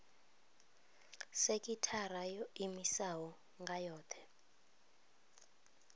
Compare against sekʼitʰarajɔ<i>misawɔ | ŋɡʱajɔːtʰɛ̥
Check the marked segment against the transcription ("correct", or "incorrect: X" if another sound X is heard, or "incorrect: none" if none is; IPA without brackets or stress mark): correct